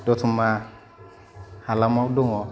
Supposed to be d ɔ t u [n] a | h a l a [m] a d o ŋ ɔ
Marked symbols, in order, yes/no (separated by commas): no, yes